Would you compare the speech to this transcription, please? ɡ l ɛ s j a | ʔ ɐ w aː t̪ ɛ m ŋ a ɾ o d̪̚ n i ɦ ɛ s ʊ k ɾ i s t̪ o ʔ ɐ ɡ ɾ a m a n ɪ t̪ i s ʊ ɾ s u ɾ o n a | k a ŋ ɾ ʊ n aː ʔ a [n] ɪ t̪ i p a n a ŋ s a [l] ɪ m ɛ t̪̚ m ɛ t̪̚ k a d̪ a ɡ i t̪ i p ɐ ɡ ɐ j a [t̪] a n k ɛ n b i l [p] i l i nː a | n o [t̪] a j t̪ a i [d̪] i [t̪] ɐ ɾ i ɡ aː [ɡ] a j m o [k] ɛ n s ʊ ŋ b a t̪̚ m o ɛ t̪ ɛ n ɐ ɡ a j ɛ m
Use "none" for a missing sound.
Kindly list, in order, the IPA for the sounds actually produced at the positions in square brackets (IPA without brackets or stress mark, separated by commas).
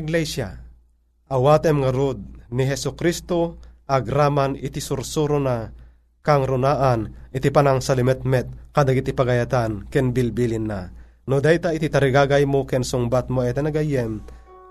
n, l, t̪, b, d̪, t̪, t̪, ɡ, k